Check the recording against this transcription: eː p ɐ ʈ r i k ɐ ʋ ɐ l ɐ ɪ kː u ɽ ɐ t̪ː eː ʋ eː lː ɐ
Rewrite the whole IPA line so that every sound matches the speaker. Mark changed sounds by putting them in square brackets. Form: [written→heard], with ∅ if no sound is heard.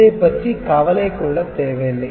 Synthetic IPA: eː p ɐ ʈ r i k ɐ ʋ ɐ l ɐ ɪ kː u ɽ ɐ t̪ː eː ʋ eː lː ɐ

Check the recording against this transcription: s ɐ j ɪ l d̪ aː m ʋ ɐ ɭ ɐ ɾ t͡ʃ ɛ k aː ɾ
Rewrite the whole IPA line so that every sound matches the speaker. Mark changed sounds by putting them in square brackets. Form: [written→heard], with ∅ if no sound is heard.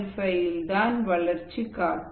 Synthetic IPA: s ɐ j ɪ l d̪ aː [m→n] ʋ ɐ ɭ ɐ ɾ t͡ʃ [ɛ→i] k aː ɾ

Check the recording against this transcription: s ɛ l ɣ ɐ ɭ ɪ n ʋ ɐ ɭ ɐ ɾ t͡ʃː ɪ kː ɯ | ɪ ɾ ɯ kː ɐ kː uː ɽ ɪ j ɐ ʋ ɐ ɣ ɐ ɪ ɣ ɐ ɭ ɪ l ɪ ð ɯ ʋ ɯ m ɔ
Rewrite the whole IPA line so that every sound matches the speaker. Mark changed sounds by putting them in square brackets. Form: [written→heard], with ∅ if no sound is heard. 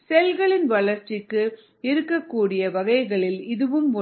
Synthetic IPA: s ɛ l ɣ ɐ ɭ ɪ n ʋ ɐ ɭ ɐ ɾ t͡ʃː ɪ kː ɯ | ɪ ɾ ɯ kː ɐ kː uː ɽ ɪ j ɐ ʋ ɐ ɣ ɐ ɪ ɣ ɐ ɭ ɪ l ɪ ð ɯ ʋ ɯ m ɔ

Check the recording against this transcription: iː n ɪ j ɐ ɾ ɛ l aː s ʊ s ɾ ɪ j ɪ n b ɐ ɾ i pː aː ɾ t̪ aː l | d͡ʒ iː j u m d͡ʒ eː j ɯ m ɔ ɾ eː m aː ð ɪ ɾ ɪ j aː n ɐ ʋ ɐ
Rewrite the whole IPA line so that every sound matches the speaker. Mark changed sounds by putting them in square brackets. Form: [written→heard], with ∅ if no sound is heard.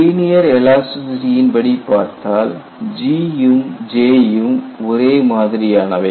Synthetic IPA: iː n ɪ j ɐ ɾ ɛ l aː s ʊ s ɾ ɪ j ɪ n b ɐ [ɾ→ɽ] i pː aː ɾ t̪ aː l | d͡ʒ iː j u m d͡ʒ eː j ɯ m ɔ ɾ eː m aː ð ɪ ɾ ɪ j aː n ɐ ʋ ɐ

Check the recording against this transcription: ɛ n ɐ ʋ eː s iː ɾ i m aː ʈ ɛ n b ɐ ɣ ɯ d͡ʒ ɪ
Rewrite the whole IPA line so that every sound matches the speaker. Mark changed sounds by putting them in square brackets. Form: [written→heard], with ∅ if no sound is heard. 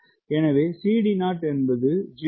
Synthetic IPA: ɛ n ɐ ʋ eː s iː [ɾ→ɽ] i [m→n] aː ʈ ɛ n b ɐ [ɣ→ð] ɯ d͡ʒ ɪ

